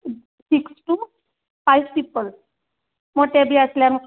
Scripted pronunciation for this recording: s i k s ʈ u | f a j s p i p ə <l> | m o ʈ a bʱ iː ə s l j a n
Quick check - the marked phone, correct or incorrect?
correct